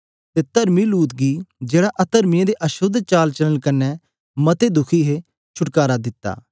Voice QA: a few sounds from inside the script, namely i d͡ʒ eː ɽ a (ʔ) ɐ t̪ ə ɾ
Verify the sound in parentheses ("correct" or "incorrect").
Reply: correct